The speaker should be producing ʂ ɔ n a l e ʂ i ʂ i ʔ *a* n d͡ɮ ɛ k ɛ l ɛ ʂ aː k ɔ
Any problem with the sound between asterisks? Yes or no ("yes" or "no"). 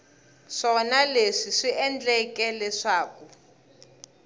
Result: yes